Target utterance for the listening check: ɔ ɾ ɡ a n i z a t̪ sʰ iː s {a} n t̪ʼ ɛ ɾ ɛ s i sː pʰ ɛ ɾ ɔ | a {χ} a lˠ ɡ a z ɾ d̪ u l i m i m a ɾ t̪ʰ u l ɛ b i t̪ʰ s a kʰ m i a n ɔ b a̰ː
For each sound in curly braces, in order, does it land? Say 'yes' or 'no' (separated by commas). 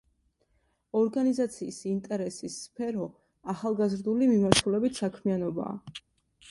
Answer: no, yes